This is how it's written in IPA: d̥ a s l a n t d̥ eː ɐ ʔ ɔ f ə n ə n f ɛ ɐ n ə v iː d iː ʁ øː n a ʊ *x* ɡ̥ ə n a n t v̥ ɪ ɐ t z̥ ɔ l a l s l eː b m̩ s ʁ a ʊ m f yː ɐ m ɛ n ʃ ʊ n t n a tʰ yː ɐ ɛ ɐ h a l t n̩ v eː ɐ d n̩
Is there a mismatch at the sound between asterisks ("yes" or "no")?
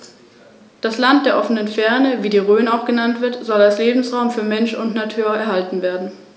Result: no